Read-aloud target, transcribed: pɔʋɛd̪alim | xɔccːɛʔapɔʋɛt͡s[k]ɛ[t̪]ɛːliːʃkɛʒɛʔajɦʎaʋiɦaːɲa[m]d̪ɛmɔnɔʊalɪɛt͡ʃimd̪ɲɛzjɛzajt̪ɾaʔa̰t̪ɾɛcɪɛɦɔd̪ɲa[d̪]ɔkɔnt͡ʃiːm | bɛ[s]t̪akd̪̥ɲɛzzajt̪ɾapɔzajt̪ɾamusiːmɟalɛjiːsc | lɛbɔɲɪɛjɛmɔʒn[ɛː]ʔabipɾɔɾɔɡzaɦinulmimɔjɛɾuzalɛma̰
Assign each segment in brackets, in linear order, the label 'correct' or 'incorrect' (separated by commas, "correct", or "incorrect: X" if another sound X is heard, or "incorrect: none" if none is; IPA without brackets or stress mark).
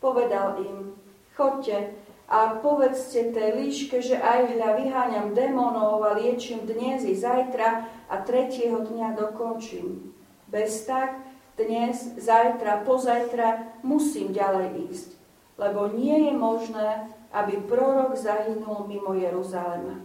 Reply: incorrect: c, correct, correct, correct, correct, correct